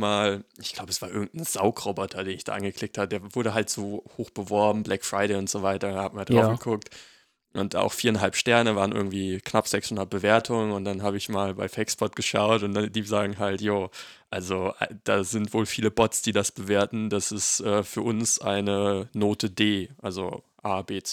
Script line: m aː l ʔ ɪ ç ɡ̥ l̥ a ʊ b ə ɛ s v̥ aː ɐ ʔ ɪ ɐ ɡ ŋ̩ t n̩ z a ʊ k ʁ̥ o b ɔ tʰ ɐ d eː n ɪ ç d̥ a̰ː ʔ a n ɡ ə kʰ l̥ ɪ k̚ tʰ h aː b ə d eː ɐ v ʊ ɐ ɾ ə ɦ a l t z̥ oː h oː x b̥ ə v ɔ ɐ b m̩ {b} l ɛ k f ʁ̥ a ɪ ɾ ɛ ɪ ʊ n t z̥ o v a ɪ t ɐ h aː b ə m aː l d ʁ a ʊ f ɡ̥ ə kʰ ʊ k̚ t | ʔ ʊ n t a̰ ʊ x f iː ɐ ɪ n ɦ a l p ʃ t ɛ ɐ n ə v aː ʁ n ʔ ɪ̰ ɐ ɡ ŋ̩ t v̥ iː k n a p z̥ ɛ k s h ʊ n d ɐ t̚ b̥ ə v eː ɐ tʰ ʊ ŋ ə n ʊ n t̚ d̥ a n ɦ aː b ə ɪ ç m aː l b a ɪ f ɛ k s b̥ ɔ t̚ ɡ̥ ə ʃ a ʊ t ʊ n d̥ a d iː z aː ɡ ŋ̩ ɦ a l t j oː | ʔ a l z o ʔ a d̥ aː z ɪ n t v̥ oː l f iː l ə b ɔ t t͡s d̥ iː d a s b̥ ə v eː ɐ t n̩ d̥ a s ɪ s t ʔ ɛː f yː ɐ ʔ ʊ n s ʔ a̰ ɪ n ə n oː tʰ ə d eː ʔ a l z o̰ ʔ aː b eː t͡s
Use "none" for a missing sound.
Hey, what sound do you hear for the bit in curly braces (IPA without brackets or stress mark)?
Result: b